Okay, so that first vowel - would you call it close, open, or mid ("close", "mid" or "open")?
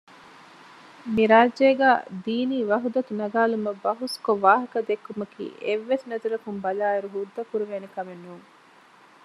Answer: close